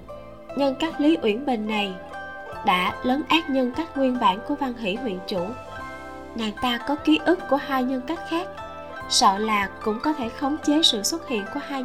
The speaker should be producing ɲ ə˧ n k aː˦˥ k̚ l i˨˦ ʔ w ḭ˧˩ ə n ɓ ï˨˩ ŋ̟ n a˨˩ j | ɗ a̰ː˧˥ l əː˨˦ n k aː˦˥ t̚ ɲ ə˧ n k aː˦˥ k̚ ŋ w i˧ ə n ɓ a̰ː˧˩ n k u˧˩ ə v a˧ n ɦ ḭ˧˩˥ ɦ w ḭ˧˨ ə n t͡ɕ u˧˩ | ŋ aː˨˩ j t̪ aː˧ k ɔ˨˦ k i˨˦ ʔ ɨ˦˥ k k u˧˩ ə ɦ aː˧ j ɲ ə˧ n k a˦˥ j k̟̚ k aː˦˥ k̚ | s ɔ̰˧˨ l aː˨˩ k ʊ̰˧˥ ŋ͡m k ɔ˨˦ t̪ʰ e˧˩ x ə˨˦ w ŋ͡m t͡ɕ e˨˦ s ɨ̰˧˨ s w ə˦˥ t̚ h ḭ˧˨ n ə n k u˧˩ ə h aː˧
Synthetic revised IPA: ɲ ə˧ n k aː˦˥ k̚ l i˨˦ ʔ w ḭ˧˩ ə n ɓ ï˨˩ ŋ̟ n a˨˩ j | ɗ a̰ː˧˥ l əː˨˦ n ʔ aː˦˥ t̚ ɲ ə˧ n k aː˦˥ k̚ ŋ w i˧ ə n ɓ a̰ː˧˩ n k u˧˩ ə v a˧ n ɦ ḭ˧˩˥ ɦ w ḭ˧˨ ə n t͡ɕ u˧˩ | ŋ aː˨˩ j t̪ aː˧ k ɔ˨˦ k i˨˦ ʔ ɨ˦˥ k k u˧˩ ə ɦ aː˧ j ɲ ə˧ n k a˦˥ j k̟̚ x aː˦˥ k̚ | s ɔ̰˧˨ l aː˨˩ k ʊ̰˧˥ ŋ͡m k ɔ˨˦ t̪ʰ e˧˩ x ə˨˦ w ŋ͡m t͡ɕ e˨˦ s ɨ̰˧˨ s w ə˦˥ t̚ h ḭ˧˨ ə n k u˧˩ ə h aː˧